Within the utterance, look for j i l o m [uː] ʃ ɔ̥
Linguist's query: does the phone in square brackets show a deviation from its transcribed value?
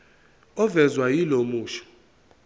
no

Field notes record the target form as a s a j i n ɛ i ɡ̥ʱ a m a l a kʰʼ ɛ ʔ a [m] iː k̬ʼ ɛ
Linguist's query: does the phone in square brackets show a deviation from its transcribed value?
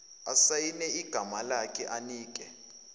yes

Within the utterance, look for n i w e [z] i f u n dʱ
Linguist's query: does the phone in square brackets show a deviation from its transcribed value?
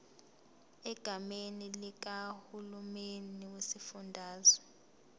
yes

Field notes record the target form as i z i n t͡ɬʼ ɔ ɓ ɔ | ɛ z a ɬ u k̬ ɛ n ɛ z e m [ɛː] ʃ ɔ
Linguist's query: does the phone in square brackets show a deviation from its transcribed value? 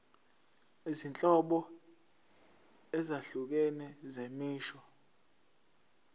yes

